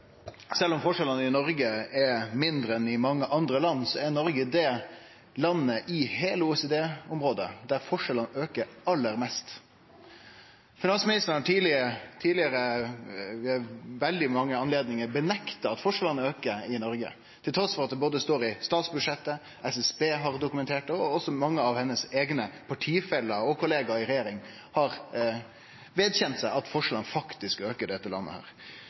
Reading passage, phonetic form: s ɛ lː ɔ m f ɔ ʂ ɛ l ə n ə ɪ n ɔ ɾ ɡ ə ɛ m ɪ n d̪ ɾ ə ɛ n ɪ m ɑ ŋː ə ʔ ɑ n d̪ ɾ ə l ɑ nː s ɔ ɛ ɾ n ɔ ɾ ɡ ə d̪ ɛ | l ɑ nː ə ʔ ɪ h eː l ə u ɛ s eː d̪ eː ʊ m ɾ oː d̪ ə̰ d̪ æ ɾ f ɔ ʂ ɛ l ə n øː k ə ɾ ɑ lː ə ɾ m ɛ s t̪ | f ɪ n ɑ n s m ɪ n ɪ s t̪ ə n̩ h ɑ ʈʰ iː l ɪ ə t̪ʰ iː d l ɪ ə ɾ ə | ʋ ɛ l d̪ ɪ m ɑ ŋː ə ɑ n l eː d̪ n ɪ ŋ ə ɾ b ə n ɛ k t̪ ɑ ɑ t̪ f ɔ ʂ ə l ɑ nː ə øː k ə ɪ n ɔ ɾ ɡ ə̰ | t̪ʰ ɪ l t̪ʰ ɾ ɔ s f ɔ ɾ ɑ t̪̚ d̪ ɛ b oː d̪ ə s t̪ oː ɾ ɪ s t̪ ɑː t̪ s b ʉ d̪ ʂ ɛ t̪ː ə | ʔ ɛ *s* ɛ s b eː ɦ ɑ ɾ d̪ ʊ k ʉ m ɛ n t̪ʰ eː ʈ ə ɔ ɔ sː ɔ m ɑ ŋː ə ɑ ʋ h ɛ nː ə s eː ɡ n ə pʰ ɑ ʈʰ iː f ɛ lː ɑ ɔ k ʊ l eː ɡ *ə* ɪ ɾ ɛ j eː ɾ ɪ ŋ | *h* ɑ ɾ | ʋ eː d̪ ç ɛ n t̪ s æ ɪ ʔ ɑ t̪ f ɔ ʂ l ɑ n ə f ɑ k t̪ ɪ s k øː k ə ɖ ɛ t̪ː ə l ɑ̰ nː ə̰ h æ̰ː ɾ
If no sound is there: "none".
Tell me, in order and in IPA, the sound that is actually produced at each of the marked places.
s, ɑ, h

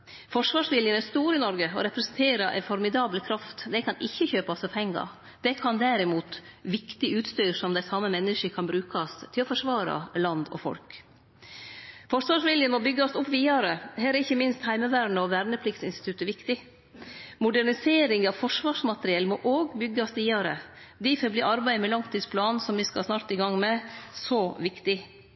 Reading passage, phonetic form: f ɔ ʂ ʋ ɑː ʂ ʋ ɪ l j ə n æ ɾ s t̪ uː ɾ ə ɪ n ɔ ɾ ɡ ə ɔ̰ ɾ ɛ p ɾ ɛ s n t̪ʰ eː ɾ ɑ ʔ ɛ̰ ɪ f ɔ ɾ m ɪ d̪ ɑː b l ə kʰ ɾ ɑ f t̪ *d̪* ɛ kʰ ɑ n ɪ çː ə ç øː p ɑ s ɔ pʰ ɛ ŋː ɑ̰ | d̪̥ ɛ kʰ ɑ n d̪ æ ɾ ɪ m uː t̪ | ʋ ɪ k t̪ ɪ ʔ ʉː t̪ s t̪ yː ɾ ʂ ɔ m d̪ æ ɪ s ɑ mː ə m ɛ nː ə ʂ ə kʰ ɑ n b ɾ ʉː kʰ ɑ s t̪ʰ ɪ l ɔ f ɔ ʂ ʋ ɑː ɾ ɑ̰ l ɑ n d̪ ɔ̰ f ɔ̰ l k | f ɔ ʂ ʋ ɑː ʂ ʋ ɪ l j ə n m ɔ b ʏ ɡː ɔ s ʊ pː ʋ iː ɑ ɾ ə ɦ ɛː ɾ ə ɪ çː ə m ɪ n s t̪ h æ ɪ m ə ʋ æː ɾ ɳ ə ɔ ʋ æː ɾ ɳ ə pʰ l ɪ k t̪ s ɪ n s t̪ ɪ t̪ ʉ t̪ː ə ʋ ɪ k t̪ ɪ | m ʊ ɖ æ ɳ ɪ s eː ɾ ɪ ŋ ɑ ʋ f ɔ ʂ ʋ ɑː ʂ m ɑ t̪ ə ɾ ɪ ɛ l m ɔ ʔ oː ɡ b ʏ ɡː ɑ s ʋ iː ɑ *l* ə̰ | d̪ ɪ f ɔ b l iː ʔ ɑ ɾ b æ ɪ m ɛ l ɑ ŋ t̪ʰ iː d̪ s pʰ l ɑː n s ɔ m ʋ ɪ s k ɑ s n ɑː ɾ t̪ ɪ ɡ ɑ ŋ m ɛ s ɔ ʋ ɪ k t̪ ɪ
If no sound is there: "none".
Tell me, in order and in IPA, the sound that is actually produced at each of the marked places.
d̪, ɾ

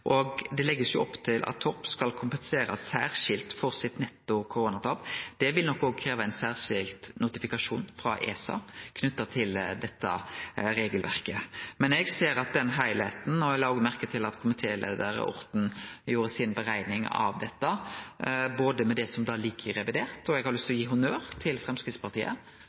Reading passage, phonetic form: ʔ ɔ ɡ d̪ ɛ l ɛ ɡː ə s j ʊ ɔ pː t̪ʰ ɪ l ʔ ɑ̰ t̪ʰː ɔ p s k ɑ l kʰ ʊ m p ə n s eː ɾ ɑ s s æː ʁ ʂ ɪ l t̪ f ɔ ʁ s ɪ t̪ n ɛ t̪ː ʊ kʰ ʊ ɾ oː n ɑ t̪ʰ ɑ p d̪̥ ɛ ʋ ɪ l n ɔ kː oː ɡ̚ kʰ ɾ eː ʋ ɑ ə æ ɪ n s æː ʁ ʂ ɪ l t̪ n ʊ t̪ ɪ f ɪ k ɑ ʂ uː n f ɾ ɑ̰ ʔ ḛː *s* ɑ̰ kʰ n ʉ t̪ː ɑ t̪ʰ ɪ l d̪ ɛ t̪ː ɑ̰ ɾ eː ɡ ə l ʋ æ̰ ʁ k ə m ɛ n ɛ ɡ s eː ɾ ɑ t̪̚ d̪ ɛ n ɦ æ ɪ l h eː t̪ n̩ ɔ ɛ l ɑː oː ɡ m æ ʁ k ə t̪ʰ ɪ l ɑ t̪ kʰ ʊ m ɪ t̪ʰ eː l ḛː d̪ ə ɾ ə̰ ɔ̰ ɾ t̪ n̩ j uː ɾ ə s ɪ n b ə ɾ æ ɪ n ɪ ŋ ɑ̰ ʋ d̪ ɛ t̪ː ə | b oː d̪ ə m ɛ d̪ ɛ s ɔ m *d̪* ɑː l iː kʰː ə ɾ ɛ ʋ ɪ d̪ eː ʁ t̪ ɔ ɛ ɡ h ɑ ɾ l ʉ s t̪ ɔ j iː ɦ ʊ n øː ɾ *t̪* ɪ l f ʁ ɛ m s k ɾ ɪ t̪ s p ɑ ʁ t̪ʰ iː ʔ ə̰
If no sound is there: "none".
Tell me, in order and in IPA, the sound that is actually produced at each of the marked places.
s, d̪, t̪ʰ

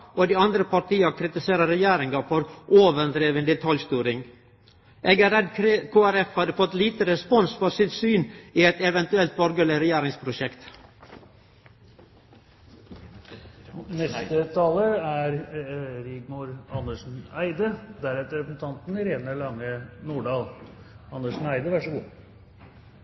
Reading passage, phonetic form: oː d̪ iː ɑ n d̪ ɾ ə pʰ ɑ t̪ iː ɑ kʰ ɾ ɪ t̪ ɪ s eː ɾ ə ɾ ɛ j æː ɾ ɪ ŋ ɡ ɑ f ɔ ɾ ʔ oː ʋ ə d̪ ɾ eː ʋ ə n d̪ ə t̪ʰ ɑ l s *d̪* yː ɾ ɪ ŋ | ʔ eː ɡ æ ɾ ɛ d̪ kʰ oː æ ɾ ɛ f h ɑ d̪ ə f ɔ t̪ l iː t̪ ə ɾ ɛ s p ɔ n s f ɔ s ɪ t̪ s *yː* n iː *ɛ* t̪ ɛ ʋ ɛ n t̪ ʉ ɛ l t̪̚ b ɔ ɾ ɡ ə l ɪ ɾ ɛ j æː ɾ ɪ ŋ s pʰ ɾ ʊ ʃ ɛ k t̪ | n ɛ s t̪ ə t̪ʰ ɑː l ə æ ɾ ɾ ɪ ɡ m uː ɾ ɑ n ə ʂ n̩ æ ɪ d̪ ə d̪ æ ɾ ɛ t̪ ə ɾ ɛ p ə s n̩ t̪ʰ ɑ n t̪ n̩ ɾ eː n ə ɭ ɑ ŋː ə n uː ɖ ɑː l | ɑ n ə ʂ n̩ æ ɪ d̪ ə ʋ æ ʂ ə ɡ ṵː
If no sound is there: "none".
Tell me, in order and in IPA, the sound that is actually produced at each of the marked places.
t̪, yː, ɛ

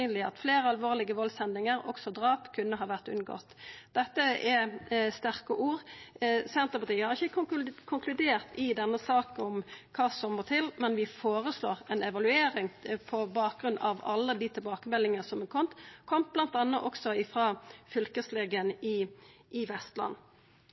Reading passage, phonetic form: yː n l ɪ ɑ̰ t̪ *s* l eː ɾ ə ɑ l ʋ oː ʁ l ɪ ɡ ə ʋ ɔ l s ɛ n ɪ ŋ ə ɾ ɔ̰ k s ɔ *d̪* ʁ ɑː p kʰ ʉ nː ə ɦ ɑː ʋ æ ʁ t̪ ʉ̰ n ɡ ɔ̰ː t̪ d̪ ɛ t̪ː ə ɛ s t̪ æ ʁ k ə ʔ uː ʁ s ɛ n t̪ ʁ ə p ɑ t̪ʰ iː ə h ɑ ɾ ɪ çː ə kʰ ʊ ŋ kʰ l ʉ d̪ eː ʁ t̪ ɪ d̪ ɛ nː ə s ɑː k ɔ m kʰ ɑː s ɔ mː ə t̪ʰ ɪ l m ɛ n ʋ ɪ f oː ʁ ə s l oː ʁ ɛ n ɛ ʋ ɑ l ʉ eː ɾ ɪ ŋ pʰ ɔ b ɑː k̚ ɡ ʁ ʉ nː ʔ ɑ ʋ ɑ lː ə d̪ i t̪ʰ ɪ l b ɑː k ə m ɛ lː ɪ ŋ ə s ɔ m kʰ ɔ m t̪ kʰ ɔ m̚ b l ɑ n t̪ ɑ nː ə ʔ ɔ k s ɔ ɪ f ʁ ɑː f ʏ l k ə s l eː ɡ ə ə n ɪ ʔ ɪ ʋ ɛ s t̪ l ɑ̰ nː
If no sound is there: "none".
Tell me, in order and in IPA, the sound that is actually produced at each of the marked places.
f, d̪

